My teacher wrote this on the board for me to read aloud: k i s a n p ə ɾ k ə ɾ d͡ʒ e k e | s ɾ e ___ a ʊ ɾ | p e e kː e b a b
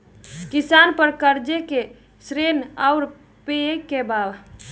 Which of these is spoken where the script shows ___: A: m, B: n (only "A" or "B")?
B